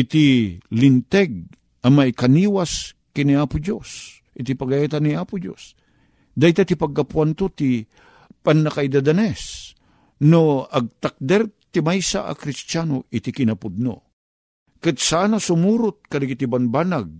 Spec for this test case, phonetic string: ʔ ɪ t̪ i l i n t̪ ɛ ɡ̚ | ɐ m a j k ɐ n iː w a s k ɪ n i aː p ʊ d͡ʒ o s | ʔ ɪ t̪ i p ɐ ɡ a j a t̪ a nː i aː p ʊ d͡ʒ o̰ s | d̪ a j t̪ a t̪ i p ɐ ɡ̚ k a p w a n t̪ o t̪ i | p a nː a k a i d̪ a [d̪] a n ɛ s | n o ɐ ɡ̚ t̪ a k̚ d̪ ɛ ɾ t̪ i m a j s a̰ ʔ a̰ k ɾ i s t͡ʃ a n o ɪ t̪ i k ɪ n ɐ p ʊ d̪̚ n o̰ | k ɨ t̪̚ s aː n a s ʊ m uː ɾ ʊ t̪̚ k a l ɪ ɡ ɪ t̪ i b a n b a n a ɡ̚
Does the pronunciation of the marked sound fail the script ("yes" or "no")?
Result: no